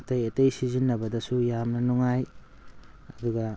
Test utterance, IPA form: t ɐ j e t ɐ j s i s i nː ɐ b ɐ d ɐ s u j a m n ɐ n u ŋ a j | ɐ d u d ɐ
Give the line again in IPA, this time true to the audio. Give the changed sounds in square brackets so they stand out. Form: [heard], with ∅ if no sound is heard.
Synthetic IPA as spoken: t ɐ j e t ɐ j s i [z] i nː ɐ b ɐ d ɐ s u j a m n ɐ n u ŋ a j | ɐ d u [ɡ] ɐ